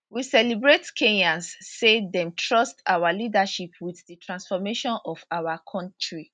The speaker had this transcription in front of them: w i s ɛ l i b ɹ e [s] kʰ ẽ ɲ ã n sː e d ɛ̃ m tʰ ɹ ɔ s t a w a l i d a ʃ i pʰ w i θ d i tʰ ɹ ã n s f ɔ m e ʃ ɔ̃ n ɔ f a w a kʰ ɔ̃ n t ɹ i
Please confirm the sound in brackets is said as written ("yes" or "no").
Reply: no